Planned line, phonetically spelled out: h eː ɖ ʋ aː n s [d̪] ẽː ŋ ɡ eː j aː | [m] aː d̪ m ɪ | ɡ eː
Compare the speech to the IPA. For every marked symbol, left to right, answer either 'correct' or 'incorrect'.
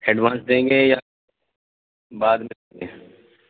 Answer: correct, incorrect

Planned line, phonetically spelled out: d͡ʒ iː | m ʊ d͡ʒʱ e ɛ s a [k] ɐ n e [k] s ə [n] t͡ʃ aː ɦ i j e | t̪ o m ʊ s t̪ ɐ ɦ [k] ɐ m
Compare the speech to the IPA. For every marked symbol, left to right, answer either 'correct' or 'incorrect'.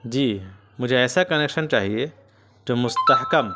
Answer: correct, correct, correct, correct

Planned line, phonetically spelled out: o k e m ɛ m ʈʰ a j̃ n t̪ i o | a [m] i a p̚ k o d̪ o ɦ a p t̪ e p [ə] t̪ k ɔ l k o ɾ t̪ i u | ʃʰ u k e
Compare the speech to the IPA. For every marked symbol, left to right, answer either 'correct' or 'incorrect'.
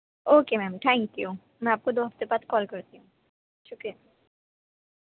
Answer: correct, incorrect

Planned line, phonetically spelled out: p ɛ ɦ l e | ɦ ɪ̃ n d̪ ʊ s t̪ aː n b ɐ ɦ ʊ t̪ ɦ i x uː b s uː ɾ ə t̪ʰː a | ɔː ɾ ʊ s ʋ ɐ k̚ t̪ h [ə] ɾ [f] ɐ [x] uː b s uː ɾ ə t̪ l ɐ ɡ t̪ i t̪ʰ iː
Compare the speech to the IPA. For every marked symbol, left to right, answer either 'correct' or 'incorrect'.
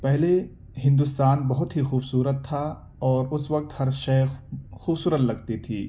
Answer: incorrect, incorrect, correct

